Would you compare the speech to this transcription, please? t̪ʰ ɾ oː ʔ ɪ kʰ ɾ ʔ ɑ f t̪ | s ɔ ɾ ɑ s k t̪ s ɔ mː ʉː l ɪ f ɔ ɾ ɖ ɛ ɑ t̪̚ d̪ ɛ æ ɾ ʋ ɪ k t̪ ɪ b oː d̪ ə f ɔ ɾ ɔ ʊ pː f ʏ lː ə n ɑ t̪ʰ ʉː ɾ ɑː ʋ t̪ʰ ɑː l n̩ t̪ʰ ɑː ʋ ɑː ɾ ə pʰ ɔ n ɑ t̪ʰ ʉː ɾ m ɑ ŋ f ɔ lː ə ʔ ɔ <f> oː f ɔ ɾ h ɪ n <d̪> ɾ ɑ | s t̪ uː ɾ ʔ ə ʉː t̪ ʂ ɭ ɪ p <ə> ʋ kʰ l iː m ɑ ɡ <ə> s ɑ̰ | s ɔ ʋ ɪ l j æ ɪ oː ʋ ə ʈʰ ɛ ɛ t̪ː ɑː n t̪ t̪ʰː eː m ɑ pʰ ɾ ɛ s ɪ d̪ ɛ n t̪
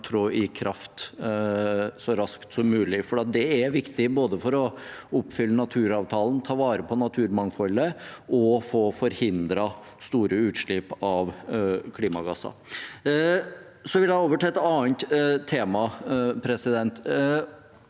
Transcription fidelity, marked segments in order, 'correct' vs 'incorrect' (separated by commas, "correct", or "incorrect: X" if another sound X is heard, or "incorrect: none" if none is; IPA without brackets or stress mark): correct, correct, incorrect: ɑ, incorrect: ɑ